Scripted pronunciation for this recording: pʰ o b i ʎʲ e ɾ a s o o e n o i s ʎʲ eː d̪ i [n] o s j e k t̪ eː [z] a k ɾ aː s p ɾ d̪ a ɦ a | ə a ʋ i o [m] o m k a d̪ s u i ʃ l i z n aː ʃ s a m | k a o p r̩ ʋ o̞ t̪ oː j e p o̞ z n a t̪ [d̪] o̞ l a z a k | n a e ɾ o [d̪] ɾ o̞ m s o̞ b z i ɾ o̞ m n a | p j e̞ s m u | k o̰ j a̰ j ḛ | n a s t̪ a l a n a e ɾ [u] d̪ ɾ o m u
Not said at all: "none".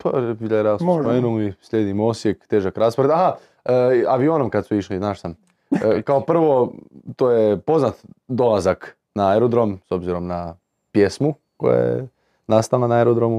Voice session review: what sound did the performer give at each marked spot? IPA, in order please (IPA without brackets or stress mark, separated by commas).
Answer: m, ʒ, n, d̪, d̪, o